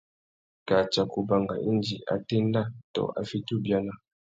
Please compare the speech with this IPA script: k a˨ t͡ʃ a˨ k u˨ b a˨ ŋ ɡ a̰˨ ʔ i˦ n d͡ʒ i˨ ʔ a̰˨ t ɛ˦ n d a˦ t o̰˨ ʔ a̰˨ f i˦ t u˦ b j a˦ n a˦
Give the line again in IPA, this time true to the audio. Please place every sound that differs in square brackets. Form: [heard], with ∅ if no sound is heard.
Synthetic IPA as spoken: k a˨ t͡ʃ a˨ k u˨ b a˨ ŋ ɡ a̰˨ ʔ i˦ n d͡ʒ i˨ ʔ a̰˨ t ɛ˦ n d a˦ t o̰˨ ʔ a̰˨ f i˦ t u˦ b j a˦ n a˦